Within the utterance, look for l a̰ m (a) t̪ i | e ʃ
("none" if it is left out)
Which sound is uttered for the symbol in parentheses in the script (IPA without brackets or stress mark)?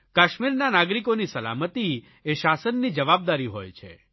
ə